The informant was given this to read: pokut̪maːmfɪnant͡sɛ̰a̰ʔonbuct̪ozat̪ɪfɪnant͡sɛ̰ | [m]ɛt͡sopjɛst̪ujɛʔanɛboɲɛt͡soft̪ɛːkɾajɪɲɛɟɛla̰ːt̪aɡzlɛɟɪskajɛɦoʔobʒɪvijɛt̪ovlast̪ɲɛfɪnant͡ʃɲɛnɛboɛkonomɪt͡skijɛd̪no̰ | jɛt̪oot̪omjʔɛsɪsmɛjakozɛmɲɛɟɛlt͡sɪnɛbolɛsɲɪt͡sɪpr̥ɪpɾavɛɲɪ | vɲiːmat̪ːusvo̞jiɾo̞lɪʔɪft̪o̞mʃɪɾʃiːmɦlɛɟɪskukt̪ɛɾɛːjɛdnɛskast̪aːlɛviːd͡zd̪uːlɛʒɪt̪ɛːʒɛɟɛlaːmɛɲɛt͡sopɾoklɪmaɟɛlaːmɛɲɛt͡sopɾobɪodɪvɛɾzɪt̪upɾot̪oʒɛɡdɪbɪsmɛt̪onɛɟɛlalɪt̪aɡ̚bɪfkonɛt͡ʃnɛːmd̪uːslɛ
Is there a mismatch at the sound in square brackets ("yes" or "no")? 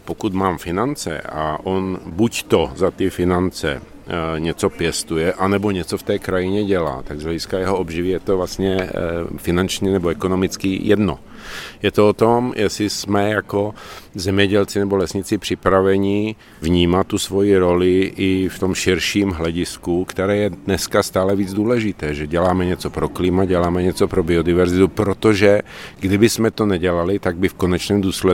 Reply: yes